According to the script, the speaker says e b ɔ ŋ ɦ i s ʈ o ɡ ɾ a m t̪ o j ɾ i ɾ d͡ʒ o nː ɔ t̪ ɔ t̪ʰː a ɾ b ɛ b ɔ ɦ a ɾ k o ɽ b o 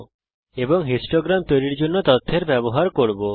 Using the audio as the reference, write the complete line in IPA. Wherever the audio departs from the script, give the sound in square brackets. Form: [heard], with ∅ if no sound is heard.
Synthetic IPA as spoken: e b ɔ ŋ ɦ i s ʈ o ɡ ɾ a m t̪ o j ɾ i ɾ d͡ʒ o nː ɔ t̪ ɔ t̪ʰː [e] ɾ b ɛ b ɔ ɦ a ɾ k o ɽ b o